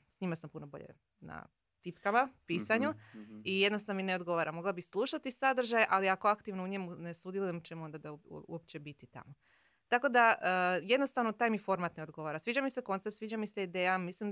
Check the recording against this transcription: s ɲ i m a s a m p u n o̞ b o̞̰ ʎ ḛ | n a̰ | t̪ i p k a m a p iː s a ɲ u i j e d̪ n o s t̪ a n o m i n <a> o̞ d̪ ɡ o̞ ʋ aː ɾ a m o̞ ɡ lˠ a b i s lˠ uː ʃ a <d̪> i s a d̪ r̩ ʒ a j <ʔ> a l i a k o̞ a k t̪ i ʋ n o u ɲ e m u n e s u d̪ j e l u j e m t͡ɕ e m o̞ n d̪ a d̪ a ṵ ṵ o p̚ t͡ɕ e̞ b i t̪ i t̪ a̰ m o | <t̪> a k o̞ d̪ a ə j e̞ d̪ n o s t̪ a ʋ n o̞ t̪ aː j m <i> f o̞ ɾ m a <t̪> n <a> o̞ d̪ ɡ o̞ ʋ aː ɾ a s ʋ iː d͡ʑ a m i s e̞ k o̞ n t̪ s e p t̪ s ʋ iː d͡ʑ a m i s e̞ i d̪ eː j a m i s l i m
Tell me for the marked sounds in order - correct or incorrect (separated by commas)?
incorrect, incorrect, correct, correct, correct, correct, incorrect